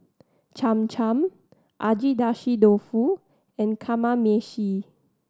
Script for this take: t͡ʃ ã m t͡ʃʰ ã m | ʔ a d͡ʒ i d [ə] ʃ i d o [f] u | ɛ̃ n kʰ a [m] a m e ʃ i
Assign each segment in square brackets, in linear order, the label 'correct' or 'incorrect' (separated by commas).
incorrect, correct, correct